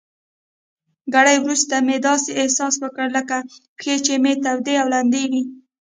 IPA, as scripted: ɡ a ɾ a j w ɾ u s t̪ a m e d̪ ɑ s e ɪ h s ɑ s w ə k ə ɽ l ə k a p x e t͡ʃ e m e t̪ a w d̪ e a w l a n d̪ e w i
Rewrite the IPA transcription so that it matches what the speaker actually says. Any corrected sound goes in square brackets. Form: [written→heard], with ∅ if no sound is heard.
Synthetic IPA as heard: ɡ a [ɾ→ɽ] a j w ɾ u s t̪ a m e d̪ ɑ s e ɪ h s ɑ s w ə k ə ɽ l ə k a p x e t͡ʃ e m e t̪ a w d̪ e a w l a n d̪ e w i